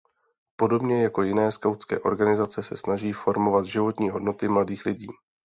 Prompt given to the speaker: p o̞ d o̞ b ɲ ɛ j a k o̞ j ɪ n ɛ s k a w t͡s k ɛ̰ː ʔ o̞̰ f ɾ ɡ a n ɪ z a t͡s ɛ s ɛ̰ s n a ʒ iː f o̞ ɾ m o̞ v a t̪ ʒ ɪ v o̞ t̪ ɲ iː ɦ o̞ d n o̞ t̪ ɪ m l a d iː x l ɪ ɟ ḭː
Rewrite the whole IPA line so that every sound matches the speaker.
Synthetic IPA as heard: p o̞ d o̞ b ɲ ɛ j a k o̞ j ɪ n ɛː s k a w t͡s k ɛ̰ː ʔ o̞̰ ɾ ɡ a n ɪ z a t͡s ɛ s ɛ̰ s n a ʒ iː f o̞ ɾ m o̞ v a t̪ ʒ ɪ v o̞ t̪ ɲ iː ɦ o̞ d n o̞ t̪ ɪ m l a d iː x l ɪ ɟ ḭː